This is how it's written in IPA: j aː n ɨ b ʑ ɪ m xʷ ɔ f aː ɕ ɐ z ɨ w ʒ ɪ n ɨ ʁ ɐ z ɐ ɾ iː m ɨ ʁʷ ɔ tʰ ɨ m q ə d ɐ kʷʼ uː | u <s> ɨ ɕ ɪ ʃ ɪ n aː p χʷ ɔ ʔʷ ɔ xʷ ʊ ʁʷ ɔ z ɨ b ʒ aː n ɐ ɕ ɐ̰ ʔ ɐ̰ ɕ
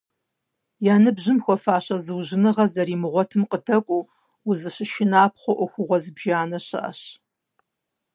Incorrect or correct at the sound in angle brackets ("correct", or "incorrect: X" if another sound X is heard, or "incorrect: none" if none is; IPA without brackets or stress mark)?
incorrect: z